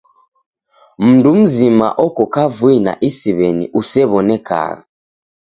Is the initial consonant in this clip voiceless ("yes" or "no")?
no